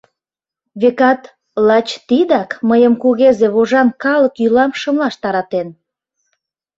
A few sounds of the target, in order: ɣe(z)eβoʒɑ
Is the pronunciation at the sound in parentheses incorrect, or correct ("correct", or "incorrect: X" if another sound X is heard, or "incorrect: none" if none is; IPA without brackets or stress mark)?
correct